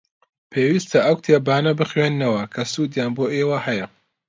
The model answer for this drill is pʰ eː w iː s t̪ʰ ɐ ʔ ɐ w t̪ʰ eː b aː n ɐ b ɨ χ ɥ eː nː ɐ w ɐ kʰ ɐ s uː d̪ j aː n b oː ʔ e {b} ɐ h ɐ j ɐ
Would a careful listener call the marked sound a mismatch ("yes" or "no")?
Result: yes